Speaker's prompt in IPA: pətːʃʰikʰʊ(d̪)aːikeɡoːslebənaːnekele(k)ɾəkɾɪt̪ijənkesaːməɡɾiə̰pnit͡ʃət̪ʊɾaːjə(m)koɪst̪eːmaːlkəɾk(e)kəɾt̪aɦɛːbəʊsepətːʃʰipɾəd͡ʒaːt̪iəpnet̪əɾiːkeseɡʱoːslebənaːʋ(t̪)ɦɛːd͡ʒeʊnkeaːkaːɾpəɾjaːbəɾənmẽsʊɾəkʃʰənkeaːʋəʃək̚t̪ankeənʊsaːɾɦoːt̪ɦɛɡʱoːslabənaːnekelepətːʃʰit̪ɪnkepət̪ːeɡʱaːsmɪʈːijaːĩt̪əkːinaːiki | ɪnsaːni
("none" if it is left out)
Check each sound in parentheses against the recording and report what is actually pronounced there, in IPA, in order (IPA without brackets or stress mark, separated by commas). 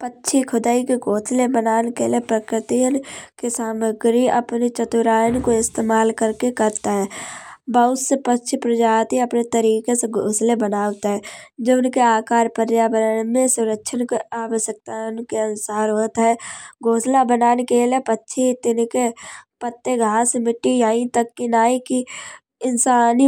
d̪, p, n, e, t̪